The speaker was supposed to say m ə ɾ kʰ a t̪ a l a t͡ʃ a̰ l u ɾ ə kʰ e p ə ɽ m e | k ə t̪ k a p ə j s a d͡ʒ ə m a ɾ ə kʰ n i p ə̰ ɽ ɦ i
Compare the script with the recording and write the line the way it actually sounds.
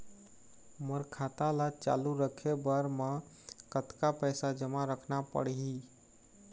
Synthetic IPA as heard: m ə ɾ kʰ a t̪ a l a t͡ʃ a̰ l u ɾ ə kʰ e b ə ɾ m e | k ə t̪ k a p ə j s a d͡ʒ ə m a ɾ ə kʰ n a p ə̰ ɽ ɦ i